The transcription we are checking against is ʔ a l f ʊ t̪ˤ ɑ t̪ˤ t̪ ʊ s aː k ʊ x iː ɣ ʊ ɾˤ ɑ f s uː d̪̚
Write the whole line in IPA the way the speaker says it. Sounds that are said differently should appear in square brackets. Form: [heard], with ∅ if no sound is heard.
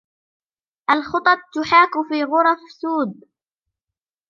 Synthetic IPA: ʔ a l [x] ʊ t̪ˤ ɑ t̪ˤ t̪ ʊ [ħ] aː k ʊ [f] iː ɣ ʊ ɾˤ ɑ f s uː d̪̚